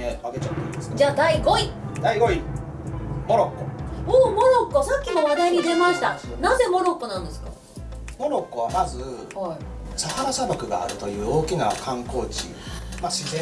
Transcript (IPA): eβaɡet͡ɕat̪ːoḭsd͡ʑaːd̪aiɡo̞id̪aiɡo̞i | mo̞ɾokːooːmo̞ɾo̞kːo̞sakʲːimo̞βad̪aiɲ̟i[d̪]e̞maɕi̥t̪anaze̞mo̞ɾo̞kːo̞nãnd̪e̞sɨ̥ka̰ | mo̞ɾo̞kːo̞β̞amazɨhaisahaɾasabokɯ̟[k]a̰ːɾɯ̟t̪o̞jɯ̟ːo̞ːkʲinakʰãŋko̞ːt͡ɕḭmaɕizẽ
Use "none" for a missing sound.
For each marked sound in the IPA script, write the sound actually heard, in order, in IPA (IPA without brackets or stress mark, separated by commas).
d̪, ɡ